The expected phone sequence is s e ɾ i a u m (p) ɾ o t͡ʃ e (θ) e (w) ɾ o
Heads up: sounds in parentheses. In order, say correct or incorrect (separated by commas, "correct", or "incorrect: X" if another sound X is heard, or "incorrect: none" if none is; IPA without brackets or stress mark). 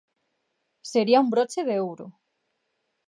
incorrect: b, incorrect: ð, correct